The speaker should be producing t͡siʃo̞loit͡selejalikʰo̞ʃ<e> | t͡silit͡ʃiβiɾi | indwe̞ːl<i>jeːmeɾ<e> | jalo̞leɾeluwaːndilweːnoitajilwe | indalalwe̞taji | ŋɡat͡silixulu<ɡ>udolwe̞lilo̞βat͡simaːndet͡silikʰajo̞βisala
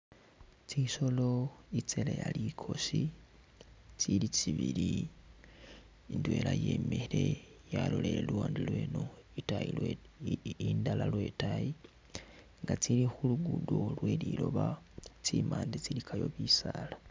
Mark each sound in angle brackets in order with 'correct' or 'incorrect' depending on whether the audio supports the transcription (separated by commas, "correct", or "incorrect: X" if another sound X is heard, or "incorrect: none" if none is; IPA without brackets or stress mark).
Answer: incorrect: i, incorrect: a, correct, correct